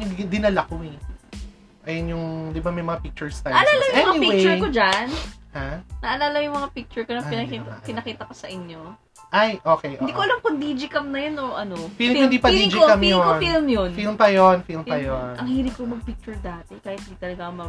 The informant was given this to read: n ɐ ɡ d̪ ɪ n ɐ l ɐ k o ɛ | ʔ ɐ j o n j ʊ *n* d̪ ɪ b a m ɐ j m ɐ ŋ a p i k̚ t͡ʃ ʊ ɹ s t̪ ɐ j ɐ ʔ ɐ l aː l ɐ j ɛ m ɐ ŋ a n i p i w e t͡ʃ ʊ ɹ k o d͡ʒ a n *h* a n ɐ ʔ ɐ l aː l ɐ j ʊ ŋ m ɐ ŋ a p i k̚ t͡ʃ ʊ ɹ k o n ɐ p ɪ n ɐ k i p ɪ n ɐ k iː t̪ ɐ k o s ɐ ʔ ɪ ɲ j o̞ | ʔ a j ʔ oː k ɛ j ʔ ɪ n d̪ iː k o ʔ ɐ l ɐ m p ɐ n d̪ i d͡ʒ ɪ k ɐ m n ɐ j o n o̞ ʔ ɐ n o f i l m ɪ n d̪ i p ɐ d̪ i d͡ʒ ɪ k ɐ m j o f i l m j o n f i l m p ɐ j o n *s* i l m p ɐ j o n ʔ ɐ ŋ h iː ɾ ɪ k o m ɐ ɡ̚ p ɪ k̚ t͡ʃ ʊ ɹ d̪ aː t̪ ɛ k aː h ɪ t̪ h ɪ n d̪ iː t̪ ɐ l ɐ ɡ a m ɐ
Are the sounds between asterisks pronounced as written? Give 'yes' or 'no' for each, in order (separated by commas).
no, yes, no